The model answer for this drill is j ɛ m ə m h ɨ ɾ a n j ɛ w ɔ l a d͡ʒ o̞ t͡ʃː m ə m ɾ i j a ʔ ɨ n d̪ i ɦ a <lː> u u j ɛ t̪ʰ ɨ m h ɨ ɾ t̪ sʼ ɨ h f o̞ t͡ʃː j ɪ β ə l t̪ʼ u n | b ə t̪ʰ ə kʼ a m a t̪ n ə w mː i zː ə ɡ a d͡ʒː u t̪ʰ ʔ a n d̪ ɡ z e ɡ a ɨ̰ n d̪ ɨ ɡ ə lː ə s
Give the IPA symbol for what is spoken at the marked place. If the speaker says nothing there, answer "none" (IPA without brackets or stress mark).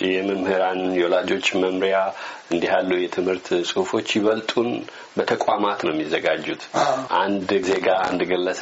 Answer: lː